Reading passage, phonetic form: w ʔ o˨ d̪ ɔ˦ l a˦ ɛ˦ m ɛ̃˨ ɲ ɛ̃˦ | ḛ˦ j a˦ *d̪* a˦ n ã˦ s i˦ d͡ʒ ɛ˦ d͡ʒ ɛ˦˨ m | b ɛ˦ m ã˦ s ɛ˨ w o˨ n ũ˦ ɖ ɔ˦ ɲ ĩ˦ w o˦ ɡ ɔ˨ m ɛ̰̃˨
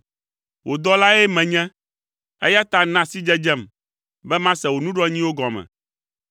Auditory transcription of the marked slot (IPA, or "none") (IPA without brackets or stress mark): t̪